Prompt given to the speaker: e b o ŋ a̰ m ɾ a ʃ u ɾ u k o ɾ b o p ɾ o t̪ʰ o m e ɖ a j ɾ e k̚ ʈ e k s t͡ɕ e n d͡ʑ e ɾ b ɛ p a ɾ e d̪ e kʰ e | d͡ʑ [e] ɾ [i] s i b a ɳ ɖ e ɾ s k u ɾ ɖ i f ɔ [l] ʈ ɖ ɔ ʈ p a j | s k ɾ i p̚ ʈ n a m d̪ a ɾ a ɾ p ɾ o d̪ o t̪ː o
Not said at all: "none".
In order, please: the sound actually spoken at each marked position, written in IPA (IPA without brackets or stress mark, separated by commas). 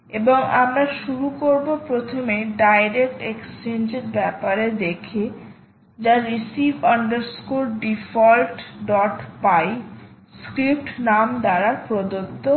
a, i, l